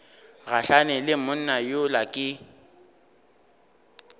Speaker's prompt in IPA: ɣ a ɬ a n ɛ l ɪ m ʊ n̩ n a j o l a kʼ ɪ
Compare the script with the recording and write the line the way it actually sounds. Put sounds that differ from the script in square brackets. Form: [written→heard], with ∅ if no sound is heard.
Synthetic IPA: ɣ a ɬ a n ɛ l ɪ m ʊ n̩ n a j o l a kʼ ɪ